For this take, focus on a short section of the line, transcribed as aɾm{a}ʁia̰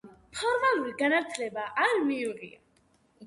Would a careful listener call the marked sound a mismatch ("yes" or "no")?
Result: yes